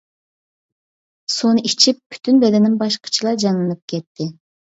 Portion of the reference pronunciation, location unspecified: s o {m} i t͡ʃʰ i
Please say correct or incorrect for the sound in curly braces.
incorrect